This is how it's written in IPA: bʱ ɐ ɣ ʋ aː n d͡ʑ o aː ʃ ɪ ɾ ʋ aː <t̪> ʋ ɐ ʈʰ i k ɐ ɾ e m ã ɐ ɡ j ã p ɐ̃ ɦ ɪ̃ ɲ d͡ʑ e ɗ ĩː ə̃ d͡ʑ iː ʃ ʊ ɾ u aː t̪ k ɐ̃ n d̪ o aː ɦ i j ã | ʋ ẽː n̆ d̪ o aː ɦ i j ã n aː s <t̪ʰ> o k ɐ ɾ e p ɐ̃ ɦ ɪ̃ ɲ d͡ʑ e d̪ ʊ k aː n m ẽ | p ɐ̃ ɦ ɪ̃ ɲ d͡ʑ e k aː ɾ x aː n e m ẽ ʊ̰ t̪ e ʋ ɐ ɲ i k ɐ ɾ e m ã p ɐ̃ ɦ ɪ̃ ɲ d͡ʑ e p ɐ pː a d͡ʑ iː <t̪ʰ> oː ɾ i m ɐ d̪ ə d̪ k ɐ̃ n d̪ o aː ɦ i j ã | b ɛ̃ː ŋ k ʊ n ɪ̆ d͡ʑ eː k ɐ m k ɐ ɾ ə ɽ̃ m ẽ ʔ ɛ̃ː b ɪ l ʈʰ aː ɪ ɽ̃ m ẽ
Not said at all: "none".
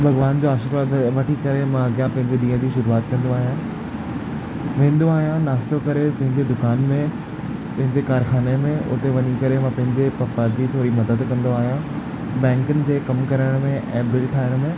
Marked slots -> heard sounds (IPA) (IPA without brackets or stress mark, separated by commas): d̪, t̪, t̪ʰ